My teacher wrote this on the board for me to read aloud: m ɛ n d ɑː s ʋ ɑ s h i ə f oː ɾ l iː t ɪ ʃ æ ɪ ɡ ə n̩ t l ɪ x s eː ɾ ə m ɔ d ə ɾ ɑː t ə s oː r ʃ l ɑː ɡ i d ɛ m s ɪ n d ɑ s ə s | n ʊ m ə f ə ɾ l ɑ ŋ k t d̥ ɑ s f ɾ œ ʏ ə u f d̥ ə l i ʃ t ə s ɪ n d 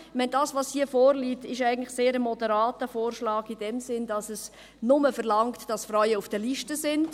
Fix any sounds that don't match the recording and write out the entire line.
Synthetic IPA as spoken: m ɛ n d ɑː s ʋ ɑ s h i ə f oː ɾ l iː t ɪ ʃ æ ɪ ɡ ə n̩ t l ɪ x s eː ɾ ə m ɔ d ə ɾ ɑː t ə f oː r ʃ l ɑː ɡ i d ɛ m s ɪ n d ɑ s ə s | n ʊ m ə f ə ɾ l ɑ ŋ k t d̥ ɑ s f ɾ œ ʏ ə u f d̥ ə l i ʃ t ə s ɪ n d